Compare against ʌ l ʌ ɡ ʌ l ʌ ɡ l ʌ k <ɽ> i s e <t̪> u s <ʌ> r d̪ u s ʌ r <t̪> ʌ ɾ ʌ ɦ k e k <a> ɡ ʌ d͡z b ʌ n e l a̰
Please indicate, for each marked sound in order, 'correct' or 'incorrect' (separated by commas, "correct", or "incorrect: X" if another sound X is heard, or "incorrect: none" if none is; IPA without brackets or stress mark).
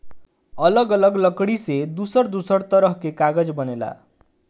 correct, incorrect: d̪, correct, correct, correct